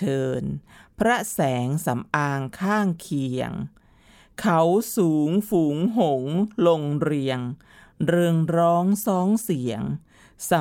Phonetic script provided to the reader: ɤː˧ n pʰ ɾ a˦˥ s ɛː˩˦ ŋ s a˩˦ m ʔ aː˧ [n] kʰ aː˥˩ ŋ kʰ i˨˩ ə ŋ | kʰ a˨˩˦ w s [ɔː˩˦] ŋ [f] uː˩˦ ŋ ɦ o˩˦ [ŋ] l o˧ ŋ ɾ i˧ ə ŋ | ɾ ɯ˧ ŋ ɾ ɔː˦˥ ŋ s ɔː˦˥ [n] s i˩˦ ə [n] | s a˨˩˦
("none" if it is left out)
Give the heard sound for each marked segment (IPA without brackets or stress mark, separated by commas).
ŋ, uː˩˦, f, ŋ, ŋ, ŋ